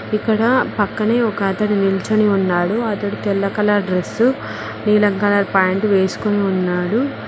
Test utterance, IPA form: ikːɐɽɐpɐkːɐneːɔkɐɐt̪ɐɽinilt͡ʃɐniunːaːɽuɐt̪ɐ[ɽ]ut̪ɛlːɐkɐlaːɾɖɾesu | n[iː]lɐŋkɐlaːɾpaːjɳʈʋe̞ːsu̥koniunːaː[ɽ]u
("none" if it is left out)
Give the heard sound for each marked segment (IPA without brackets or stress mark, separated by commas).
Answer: ɽ, iː, ɽ